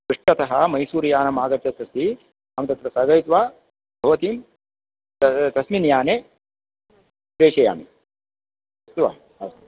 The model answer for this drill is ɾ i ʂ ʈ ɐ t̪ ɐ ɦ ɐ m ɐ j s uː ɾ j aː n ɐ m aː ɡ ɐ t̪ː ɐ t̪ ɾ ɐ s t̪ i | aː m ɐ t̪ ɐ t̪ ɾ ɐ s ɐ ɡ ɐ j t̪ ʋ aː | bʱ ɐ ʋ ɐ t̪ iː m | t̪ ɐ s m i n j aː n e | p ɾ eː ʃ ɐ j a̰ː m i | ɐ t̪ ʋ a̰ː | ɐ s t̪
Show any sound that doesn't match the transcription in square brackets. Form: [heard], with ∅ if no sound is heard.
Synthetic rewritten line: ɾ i ʂ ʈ ɐ t̪ ɐ ɦ ɐ m ɐ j s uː ɾ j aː n ɐ m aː ɡ ɐ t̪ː ɐ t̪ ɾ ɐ s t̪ i | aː m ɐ t̪ ɐ t̪ ɾ ɐ s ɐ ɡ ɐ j t̪ ʋ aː | bʱ ɐ ʋ ɐ t̪ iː m | t̪ ɐ s m i n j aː n e | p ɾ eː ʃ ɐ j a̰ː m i | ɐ t̪ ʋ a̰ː | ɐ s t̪

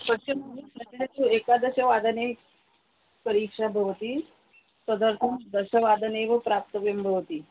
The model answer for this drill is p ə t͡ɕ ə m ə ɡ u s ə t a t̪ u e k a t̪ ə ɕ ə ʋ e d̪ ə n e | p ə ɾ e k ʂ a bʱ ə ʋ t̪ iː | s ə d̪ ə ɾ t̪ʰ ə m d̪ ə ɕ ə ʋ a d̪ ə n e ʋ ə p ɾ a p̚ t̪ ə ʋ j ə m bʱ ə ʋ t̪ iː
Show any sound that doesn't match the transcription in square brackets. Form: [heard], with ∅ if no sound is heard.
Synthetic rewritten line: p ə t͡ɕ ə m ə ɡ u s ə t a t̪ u e k a [d̪] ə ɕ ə ʋ [a] d̪ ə n e | p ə ɾ [i] k ʂ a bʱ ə ʋ t̪ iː | s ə d̪ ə ɾ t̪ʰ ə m d̪ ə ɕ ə ʋ a d̪ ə n e ʋ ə p ɾ a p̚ t̪ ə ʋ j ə m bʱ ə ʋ t̪ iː

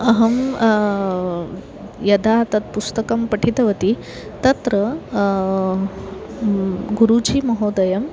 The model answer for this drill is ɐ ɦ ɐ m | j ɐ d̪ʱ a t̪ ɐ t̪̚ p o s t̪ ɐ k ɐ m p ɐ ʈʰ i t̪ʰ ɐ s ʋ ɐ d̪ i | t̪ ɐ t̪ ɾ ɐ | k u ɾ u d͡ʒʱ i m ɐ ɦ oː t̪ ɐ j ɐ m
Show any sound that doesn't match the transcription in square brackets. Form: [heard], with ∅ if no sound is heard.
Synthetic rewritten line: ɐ ɦ ɐ m | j ɐ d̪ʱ a t̪ ɐ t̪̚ p [u] s t̪ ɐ k ɐ m p ɐ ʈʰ i [t̪] ɐ [∅] ʋ ɐ [t̪] i | t̪ ɐ t̪ ɾ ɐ | [ɡ] u ɾ u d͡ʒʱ i m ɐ ɦ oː [d̪] ɐ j ɐ m

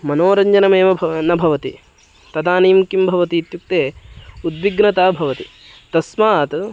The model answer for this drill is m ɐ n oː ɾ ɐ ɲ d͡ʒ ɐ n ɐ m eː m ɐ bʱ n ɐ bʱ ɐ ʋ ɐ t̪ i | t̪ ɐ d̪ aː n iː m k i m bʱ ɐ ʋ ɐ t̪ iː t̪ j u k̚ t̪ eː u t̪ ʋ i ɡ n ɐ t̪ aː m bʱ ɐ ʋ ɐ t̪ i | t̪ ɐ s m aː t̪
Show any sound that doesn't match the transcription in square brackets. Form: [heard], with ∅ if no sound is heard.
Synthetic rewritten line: m ɐ n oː ɾ ɐ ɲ d͡ʒ ɐ n ɐ m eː m ɐ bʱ n ɐ bʱ ɐ ʋ ɐ t̪ i | t̪ ɐ d̪ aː n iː m k i m bʱ ɐ ʋ ɐ t̪ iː t̪ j u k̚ t̪ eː u [d̪] ʋ i ɡ n ɐ t̪ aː [∅] bʱ ɐ ʋ ɐ t̪ i | t̪ ɐ s m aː t̪

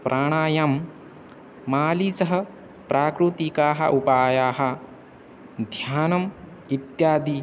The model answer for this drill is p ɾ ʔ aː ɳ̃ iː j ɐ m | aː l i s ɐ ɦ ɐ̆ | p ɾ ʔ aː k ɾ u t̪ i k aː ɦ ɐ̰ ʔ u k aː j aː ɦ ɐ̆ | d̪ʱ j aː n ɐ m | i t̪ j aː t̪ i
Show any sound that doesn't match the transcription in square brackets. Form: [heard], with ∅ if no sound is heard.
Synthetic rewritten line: p ɾ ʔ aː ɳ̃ [aː] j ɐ m | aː l i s ɐ ɦ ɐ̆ | p ɾ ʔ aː k ɾ u t̪ i k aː ɦ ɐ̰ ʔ u [p] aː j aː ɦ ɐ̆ | d̪ʱ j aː n ɐ m | i t̪ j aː [d̪] i

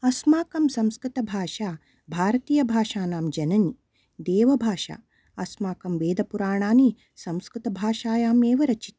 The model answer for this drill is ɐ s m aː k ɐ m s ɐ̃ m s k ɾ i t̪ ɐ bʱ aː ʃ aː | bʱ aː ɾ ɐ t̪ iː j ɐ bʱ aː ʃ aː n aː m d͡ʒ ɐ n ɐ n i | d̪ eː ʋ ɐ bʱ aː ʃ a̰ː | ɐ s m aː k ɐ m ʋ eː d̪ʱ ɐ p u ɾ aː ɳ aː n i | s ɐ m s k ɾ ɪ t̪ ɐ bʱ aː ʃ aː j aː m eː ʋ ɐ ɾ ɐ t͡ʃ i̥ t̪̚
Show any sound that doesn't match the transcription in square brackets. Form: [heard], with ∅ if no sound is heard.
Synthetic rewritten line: ɐ s m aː k ɐ m s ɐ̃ m s k ɾ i t̪ ɐ bʱ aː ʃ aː | bʱ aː ɾ ɐ t̪ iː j ɐ bʱ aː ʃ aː n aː m d͡ʒ ɐ n ɐ n i | d̪ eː ʋ ɐ bʱ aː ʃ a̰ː | ɐ s m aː k ɐ m ʋ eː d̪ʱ ɐ p u ɾ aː ɳ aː n i | s ɐ m s k ɾ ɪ t̪ ɐ bʱ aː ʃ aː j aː m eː ʋ ɐ ɾ ɐ t͡ʃ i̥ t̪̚

